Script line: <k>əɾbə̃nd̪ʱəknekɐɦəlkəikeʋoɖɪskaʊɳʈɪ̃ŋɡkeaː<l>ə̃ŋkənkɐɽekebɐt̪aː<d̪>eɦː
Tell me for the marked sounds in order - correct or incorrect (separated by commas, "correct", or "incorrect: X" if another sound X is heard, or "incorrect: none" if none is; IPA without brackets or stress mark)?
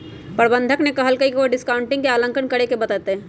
incorrect: p, correct, incorrect: t̪